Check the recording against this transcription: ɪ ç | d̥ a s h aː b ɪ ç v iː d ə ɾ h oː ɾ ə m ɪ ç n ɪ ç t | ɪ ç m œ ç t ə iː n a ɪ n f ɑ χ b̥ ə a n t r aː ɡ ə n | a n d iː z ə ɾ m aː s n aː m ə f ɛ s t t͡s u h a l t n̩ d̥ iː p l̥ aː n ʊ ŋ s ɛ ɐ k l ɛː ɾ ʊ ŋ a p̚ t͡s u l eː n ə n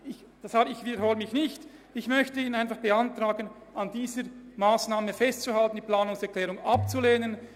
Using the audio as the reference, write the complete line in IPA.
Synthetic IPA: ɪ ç | d̥ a s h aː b ɪ ç v iː d ə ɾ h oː l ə m ɪ ç n ɪ ç t | ɪ ç m œ ç t ə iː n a ɪ n f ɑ χ b̥ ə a n t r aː ɡ ə n | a n d iː z ə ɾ m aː s n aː m ə f ɛ s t t͡s u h a l t n̩ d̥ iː p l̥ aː n ʊ ŋ s ɛ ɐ k l ɛː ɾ ʊ ŋ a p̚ t͡s u l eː n ə n